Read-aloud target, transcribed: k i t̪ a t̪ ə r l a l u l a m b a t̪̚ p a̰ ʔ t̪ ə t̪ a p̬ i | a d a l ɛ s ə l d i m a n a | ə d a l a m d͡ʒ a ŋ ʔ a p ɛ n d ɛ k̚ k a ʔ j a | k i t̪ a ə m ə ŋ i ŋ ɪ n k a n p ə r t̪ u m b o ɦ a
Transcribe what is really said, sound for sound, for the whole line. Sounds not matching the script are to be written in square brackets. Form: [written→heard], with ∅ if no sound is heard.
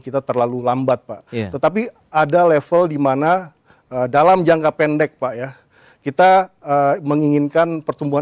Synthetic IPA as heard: k i t̪ a t̪ ə r l a l u l a m b a t̪̚ p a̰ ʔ t̪ ə t̪ a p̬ i | a d a l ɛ [s→f] ə l d i m a n a | ə d a l a m d͡ʒ a ŋ [ʔ→k] a p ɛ n d ɛ k̚ [k→p] a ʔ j a | k i t̪ a ə m ə ŋ i ŋ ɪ n k a n p ə r t̪ u m b [o→u] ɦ a

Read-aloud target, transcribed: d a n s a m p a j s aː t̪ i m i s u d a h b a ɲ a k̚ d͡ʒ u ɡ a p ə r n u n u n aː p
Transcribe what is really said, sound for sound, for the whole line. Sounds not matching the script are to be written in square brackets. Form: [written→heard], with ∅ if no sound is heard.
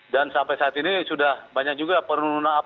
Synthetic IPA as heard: d a n s a m p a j s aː t̪ i [m→n] i s u d a h b a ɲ a k̚ d͡ʒ u ɡ a p ə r n u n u n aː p

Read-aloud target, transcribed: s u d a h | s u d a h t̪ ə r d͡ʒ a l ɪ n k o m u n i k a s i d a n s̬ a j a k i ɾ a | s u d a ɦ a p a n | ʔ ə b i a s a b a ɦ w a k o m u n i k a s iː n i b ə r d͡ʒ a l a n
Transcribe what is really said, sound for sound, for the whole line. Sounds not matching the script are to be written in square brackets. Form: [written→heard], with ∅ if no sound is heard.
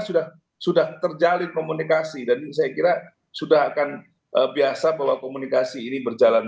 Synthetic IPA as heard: s u d a h | s u d a h t̪ ə r d͡ʒ a l ɪ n k o m u n i k a s i d a n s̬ a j a k i ɾ a | s u d a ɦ a [p→k] a n | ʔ ə b i a s a b a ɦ w a k o m u n i k a s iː n i b ə r d͡ʒ a l a n

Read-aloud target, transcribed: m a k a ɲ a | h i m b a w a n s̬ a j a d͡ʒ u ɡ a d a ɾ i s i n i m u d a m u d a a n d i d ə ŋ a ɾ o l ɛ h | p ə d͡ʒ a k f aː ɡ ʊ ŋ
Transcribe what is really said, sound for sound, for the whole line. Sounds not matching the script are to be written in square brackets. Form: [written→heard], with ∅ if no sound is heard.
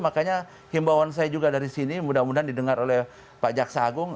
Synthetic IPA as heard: m a k a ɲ a | h i m b a w a n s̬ a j a d͡ʒ u ɡ a d a ɾ i s i n i m u d a m u d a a n d i d ə ŋ a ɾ o l ɛ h | p [ə→a] d͡ʒ a k [f→s] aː ɡ ʊ ŋ

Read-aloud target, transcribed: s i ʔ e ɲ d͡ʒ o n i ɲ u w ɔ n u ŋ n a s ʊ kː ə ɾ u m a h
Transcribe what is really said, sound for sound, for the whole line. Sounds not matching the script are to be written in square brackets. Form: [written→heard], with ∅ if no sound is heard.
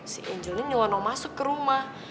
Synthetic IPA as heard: s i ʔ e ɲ d͡ʒ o n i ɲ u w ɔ n [u→ɔ] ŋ [n→m] a s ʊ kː ə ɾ u m a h

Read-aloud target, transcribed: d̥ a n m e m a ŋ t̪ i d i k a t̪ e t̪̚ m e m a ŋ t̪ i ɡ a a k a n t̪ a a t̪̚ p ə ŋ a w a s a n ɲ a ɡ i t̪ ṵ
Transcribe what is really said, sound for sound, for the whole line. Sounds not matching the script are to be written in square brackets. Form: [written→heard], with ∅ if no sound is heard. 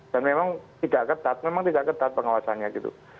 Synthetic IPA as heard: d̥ a n m e m a ŋ t̪ i d [i→a] k a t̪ [e→a] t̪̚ m e m a ŋ t̪ i [ɡ→d] a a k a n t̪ a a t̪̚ p ə ŋ a w a s a n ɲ a ɡ i t̪ ṵ

